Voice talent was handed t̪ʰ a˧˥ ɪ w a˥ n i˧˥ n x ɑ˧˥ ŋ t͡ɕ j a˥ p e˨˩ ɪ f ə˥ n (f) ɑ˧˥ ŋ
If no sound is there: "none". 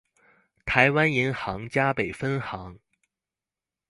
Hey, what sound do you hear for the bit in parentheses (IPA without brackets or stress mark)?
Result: x